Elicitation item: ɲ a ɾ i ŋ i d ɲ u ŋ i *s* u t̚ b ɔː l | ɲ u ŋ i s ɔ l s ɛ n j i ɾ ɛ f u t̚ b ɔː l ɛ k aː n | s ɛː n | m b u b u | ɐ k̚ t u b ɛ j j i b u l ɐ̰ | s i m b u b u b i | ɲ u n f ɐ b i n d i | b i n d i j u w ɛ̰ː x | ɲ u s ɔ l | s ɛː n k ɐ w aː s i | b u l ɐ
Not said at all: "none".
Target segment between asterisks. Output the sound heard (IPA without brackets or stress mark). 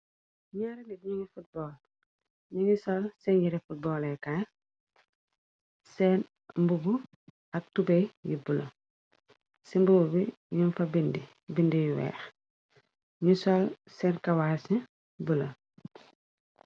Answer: f